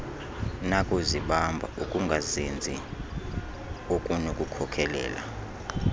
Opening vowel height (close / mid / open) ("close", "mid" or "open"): open